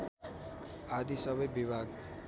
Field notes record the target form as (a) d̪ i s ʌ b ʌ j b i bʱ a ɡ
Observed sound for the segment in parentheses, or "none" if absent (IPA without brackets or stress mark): a